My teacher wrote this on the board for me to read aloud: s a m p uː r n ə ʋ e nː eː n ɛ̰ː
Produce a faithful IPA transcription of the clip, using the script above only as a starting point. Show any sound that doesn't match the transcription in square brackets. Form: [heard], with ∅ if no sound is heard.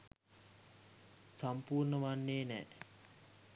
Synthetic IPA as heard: s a m p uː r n ə ʋ [a] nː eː n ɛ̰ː

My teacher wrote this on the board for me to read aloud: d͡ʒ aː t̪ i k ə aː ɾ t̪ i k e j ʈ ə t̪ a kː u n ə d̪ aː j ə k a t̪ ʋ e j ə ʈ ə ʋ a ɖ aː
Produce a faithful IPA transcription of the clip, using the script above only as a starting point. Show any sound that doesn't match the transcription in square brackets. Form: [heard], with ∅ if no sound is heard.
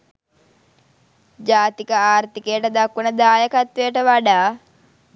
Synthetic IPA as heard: d͡ʒ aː t̪ i k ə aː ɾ t̪ i k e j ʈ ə [d̪] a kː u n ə d̪ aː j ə k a t̪ ʋ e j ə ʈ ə ʋ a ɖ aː

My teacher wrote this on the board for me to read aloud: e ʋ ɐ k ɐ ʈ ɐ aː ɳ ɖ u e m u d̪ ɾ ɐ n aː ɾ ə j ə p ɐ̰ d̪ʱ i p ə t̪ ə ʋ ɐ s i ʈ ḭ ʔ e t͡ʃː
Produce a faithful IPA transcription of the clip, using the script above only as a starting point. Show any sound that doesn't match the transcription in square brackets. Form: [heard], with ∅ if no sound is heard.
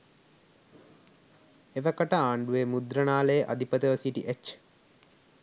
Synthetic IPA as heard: e ʋ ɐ k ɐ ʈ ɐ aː ɳ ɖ u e m u d̪ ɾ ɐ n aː [l] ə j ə [ʔ] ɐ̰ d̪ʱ i p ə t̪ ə ʋ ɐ s i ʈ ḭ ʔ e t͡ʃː

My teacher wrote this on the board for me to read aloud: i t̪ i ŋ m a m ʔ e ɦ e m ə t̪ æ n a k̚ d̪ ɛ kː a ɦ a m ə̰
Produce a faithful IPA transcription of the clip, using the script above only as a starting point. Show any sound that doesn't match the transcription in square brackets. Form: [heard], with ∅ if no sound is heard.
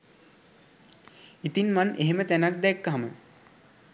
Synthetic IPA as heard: i t̪ i [n] m a [n] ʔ e ɦ e m ə t̪ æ n a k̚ d̪ ɛ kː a ɦ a m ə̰

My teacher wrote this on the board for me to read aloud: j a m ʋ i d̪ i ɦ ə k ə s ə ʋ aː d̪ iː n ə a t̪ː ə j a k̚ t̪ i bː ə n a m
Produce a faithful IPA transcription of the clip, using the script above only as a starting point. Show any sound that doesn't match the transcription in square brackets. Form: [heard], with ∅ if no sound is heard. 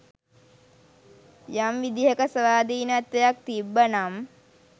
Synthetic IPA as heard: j a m ʋ i d̪ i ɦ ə k ə s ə ʋ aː d̪ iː n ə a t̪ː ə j a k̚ t̪ i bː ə n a m

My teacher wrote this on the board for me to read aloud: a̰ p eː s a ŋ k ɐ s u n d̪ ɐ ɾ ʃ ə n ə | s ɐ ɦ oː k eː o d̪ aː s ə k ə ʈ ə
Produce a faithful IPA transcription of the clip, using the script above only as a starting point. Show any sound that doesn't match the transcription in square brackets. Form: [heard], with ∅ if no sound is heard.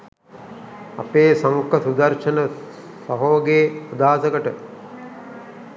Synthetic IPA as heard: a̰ p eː s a ŋ k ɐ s u [∅] d̪ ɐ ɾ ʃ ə n ə | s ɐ ɦ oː [ɡ] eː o d̪ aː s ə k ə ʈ ə

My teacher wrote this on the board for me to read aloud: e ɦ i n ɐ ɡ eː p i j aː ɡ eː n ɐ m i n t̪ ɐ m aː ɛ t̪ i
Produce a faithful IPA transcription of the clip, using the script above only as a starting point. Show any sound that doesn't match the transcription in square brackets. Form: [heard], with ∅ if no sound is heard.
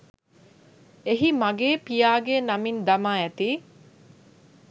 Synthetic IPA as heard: e ɦ i [m] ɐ ɡ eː p i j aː ɡ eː n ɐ m i n [d̪] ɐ m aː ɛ t̪ [iː]

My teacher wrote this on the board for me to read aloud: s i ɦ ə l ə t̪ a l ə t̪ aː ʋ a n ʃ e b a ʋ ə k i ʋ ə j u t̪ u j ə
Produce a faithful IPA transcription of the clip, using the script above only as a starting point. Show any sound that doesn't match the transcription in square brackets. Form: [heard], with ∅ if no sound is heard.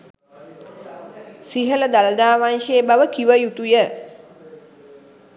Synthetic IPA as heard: s i ɦ ə l ə [d̪] a l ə [d̪] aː ʋ a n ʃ e b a ʋ ə k i ʋ ə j u t̪ u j ə

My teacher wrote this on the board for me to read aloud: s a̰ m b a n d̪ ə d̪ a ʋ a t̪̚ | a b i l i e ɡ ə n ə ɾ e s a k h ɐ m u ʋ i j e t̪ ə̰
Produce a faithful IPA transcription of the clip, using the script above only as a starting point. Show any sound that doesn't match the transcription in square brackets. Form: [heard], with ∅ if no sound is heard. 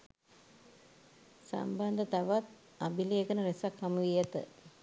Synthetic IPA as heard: s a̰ m b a n d̪ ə [t̪] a ʋ a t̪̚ | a b i l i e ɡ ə n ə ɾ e s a k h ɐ m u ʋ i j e t̪ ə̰

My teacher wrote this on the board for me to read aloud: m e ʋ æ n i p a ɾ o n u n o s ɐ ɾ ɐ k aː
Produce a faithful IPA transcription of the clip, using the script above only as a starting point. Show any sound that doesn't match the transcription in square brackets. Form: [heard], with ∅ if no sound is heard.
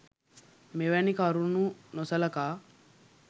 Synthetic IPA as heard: m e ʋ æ n i [k] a ɾ [u] n u n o s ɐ [l] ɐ k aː

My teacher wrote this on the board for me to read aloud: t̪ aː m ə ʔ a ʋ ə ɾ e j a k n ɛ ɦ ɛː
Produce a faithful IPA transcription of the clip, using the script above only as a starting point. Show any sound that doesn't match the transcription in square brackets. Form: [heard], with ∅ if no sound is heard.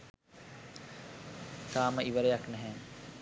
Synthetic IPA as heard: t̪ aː m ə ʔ [i] ʋ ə ɾ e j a k n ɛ ɦ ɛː

